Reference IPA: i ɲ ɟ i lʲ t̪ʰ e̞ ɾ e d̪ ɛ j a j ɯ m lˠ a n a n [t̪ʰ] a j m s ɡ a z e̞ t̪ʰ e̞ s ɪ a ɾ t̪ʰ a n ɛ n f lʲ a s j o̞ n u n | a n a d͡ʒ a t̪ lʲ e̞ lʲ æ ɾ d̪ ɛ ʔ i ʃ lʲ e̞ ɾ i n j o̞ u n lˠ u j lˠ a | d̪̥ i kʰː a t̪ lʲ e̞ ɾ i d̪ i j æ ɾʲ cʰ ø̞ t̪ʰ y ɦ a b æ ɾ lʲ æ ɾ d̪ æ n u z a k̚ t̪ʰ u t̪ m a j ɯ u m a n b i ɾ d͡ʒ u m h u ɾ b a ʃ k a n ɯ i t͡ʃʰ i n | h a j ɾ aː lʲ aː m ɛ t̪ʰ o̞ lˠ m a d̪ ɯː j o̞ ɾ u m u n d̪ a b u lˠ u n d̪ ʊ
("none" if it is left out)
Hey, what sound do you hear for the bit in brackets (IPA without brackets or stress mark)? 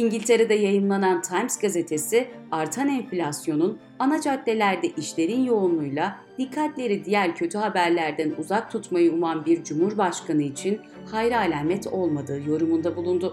t̪ʰ